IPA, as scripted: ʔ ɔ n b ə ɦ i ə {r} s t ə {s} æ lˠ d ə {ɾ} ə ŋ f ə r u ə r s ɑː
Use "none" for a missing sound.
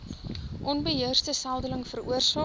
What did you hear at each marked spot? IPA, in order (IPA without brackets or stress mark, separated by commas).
r, s, l